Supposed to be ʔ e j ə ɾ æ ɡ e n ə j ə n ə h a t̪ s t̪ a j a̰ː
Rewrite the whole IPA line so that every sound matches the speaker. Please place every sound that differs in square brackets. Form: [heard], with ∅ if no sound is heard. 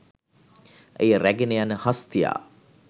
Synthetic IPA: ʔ e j ə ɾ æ ɡ e n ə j [a] n ə h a [∅] s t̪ [i] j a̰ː